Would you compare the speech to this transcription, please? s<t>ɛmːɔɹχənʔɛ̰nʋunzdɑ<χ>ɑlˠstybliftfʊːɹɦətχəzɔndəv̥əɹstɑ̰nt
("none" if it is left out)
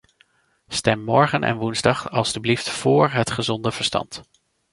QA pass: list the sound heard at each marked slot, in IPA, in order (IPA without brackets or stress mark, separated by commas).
t, χ